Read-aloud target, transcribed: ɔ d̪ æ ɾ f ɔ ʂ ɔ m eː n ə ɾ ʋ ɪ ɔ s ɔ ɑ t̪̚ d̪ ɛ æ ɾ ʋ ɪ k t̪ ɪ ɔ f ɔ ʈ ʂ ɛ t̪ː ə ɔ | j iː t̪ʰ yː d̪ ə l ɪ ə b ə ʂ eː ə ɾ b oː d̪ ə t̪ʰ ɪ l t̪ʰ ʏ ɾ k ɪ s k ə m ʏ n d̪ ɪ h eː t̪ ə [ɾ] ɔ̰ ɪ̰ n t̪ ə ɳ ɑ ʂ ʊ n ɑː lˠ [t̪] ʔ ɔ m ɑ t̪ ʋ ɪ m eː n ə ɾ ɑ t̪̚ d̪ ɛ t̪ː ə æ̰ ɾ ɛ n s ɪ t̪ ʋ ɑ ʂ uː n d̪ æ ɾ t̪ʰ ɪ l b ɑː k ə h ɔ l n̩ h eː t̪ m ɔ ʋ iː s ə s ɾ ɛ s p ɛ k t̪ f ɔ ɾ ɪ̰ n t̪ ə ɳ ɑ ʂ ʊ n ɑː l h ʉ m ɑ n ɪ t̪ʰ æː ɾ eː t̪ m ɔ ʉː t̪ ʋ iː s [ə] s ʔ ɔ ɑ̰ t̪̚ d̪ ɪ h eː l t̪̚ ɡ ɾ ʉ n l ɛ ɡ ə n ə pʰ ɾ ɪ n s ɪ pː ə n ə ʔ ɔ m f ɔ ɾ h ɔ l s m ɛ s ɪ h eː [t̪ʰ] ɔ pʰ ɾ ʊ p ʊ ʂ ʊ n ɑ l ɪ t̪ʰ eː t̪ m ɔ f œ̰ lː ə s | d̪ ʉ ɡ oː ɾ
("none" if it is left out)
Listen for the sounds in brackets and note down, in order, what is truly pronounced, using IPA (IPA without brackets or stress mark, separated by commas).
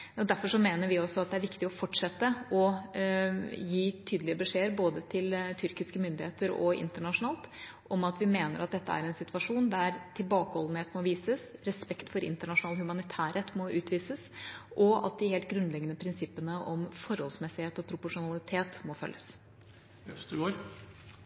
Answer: ɾ, t̪, ə, t̪